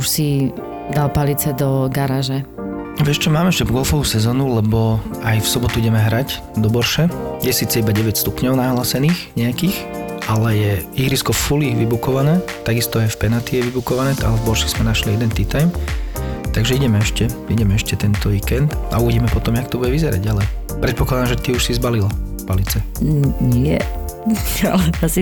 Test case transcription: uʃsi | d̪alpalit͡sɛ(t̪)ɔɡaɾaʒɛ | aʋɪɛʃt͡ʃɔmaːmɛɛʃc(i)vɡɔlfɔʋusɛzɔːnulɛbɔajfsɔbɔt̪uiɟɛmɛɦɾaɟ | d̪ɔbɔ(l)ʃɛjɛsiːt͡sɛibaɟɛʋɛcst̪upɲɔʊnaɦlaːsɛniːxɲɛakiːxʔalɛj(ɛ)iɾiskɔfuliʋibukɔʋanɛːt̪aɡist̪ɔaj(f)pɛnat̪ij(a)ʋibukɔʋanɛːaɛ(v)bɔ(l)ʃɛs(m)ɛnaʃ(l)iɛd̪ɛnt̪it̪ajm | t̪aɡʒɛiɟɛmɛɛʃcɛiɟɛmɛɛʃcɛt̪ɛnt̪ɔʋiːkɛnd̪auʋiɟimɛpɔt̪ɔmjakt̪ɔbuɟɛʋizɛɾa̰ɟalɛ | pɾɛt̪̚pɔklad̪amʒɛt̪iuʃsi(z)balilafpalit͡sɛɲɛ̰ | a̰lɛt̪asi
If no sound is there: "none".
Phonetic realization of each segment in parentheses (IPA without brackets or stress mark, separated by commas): d̪, ɛ, ɾ, ɛ, f, ɛ, v, ɾ, m, l, z